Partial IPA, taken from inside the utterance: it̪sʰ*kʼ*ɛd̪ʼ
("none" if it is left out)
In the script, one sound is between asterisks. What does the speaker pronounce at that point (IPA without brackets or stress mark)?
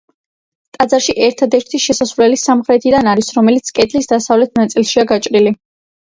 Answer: kʼ